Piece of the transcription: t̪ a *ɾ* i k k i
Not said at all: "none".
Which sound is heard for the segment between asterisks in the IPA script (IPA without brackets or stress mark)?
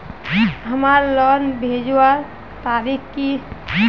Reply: ɾ